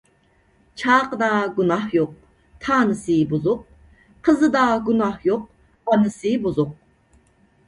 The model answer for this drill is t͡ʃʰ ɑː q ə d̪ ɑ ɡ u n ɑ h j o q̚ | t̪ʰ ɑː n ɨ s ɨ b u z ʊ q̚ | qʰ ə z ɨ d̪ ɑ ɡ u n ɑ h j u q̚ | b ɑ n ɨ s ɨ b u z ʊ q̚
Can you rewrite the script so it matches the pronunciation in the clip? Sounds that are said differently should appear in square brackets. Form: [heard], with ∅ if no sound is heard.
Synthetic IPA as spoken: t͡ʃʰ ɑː q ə d̪ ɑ ɡ u n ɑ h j o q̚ | t̪ʰ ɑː n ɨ s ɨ b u z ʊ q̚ | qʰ ə z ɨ d̪ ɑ ɡ u n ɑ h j [o] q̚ | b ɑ n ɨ s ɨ b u z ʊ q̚